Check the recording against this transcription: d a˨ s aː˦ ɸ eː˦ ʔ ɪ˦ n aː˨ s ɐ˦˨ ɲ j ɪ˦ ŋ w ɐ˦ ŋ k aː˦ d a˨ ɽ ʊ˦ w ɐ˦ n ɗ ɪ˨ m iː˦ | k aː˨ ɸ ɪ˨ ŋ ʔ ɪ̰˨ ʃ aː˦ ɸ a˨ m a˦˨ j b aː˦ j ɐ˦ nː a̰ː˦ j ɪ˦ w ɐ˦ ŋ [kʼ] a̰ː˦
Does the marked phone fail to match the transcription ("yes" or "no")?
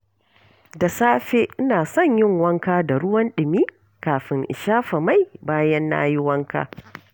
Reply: yes